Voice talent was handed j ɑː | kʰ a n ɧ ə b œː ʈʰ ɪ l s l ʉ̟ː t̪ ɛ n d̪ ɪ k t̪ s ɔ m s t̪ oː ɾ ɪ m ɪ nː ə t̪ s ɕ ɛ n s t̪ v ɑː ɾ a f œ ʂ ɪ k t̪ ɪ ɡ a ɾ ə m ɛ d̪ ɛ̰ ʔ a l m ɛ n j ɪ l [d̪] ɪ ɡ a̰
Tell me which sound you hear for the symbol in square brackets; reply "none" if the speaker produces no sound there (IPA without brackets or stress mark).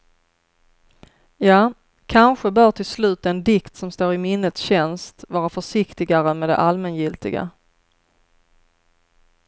t̪